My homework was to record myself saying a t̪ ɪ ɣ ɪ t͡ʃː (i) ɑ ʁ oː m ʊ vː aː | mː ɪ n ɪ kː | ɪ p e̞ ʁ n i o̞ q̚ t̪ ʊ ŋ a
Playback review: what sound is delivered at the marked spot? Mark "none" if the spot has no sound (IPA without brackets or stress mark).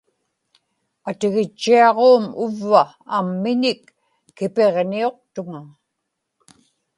i